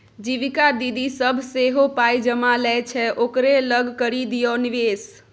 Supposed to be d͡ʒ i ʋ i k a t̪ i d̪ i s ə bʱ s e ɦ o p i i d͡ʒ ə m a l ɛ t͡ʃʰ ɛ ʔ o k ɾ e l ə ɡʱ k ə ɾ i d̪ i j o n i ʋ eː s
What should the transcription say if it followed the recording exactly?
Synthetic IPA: d͡ʒ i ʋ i k a d̪ i d̪ i s ə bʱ s e ɦ o p a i d͡ʒ ə m a l ɛ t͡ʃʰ ɛ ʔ o k ɾ e l ə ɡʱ k ə ɾ i d̪ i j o n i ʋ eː s